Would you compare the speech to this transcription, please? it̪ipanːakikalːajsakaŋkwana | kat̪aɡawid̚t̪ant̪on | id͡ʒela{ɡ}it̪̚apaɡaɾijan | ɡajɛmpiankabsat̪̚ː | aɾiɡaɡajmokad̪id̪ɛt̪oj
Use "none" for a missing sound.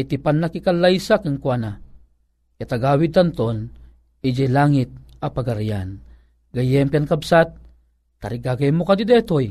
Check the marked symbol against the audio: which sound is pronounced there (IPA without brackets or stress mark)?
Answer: ŋ